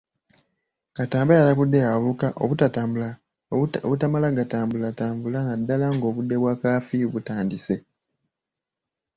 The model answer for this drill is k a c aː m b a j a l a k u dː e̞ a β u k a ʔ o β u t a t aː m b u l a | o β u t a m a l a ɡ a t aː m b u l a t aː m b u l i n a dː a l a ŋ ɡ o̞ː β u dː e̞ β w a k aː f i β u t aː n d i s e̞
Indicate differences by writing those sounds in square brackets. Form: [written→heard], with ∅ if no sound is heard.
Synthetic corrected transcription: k a [c→t] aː m b a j a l a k u dː e̞ a β u k a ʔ o β u t a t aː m b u l a | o β u t a m a l a ɡ a t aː m b u l a t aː m b u l [i→a] n a dː a l a ŋ ɡ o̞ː β u dː e̞ β w a k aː f i β u t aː n d i s e̞

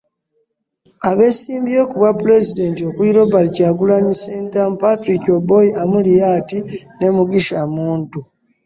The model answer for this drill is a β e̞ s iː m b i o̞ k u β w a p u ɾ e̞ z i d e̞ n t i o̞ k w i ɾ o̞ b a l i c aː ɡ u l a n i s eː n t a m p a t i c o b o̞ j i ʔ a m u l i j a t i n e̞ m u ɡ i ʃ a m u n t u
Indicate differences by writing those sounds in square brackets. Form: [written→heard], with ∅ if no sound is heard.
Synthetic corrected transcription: a β e̞ s iː m b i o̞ k u β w a p u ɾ e̞ z i d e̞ n t i o̞ k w i ɾ o̞ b a l i c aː ɡ u l a [n→ɲ] i s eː n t a m p a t i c o b o̞ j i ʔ a m u l i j a t i n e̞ m u ɡ i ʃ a m [u→uː] n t u

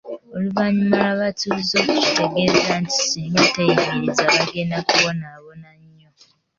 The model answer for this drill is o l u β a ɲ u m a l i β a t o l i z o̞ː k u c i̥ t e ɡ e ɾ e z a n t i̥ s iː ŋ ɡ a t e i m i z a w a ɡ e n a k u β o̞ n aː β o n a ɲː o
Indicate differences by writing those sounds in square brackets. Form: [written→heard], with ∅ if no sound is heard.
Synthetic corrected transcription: o l u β a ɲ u m a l [i→a] β a t [o→u] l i z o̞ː k u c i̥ t e ɡ e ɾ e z a n t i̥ s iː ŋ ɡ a t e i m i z a [w→β] a ɡ e n a k u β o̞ n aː β o n a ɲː o

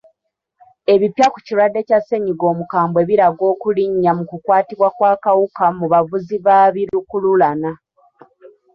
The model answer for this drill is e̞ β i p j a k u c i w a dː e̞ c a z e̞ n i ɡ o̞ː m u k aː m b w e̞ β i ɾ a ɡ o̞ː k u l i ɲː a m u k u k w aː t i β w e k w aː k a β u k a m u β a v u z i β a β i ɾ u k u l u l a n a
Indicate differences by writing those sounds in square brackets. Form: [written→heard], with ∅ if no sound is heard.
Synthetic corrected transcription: e̞ β i p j a k u c i w a dː e̞ c a [z→s] e̞ [n→ɲ] i ɡ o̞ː m u k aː m b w e̞ β i ɾ a ɡ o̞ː k u l i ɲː a m u k u k w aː t i β w [e→a] k w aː k a [β→w] u k a m u β a v u z i β a β i ɾ u k u l u l a n a

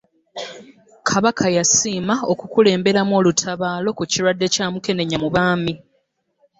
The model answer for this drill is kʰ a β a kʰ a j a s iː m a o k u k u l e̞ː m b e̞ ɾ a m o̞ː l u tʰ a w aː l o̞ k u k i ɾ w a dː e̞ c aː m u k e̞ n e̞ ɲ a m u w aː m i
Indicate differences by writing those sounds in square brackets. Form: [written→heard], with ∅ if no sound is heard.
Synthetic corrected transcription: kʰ a β a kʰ a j a s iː m a o k u k u l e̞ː m b e̞ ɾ a m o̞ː l u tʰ a [w→β] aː l o̞ k u [k→c] i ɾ w a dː e̞ c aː m u k e̞ n e̞ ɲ a m u [w→β] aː m i

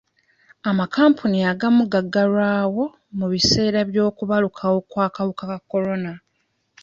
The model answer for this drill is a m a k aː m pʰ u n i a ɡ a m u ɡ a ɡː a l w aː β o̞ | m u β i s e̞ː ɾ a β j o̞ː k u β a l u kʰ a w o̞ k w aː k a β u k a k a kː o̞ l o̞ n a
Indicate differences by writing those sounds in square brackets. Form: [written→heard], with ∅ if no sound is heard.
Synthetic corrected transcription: a m a k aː m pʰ u n i a ɡ a m u ɡ a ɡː a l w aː [β→w] o̞ | m u β i s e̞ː ɾ a β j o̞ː k u β a l u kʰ a w o̞ k w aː k a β u k a k a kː o̞ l o̞ n a

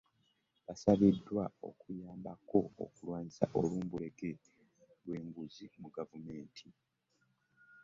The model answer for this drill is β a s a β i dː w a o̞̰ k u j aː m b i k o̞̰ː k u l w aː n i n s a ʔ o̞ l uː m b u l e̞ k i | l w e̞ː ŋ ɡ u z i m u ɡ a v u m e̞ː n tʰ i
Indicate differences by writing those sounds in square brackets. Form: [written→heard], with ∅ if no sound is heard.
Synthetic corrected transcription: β a s a β i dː w a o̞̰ k u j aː m b [i→a] k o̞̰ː k u l w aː [n→ɲ] i [n→∅] s a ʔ o̞ l uː m b u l e̞ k [i→e] | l w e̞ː ŋ ɡ u z i m u ɡ a v u m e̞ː n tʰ i

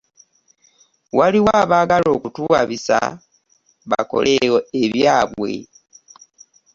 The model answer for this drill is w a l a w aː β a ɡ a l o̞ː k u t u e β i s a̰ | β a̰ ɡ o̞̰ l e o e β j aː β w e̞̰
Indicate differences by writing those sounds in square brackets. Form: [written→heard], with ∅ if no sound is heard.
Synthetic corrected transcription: w a l [a→i] w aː β a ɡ a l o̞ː k u t u [e→a] β i s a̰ | β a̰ [ɡ→k] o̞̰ l e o e β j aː β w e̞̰

